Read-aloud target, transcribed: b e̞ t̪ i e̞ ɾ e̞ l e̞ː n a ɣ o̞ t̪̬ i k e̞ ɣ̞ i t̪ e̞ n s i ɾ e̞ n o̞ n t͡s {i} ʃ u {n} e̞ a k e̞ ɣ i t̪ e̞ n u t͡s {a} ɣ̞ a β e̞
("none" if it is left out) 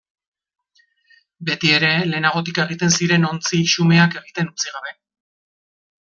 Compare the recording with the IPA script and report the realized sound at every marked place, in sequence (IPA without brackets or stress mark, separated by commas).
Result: i, m, i